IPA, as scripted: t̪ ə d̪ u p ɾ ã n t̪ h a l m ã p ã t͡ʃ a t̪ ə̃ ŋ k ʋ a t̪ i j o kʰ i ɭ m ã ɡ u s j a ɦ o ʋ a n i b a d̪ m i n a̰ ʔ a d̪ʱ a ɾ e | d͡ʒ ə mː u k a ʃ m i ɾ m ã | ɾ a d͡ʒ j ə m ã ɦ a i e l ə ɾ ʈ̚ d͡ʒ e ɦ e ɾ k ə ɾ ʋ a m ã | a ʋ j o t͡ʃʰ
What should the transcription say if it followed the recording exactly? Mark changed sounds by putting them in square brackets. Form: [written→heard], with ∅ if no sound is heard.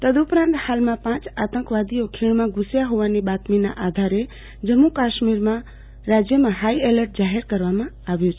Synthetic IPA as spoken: t̪ ə d̪ u p ɾ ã n t̪ h a l m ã p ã t͡ʃ a t̪ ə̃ ŋ k ʋ a [t̪→d̪] i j o kʰ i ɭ m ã ɡ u s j a ɦ o ʋ a n i b a [d̪→t̪] m i n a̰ ʔ a d̪ʱ a ɾ e | d͡ʒ ə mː u k a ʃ m i ɾ m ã | ɾ a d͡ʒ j ə m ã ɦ a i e l ə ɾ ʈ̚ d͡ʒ [e→a] ɦ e ɾ k ə ɾ ʋ a m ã | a ʋ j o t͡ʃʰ